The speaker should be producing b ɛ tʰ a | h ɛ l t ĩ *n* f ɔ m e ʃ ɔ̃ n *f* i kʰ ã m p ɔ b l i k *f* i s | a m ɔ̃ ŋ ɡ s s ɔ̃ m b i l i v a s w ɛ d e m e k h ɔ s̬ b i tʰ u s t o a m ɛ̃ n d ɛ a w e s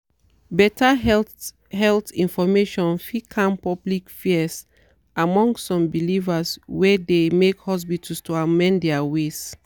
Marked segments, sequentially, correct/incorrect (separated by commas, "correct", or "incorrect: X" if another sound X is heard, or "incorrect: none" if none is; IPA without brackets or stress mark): correct, correct, correct